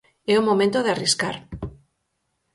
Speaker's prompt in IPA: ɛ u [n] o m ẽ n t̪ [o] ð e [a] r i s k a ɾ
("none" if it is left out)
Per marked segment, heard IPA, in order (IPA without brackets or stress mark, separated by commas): m, o, a